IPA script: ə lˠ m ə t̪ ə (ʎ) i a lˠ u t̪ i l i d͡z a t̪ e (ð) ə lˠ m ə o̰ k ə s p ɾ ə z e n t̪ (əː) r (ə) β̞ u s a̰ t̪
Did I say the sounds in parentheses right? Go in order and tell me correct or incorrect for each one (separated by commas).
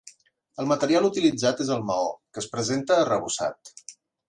incorrect, incorrect, correct, correct